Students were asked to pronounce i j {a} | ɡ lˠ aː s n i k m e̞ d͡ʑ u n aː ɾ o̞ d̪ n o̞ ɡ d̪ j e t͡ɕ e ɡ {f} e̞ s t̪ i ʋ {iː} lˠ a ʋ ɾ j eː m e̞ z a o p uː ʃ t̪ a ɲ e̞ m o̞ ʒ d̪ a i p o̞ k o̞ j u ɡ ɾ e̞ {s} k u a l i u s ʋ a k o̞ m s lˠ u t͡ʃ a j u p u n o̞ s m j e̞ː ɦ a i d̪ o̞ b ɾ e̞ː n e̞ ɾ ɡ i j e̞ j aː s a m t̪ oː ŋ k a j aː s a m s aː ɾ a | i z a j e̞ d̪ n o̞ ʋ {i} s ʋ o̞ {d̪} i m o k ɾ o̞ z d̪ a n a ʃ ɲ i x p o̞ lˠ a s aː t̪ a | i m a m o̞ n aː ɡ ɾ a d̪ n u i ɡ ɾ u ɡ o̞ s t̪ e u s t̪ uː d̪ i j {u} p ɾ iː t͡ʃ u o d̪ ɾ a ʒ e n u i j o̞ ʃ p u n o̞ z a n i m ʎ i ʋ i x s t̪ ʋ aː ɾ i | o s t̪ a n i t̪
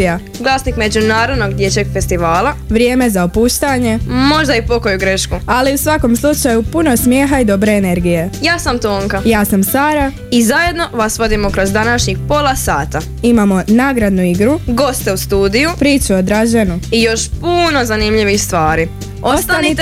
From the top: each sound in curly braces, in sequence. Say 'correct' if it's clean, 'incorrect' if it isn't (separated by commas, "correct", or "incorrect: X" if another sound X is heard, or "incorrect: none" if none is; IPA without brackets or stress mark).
correct, correct, incorrect: aː, incorrect: ʃ, incorrect: a, correct, correct